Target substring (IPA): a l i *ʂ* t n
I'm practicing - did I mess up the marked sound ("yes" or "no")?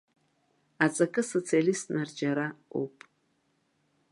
yes